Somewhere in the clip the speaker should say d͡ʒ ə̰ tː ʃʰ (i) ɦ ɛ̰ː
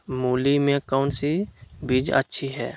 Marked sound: correct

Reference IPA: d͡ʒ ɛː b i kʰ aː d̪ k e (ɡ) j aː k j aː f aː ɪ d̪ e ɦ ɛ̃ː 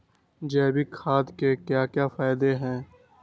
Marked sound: incorrect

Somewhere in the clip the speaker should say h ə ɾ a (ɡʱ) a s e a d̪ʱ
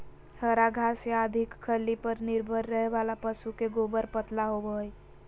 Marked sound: correct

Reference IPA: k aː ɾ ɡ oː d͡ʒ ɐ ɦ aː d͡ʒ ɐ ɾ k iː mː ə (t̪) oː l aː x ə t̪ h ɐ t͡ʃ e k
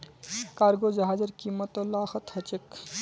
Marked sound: correct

